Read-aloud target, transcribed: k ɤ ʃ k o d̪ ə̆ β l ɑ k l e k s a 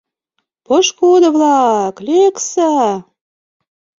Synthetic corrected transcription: p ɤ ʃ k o d̪ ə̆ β l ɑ k l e k s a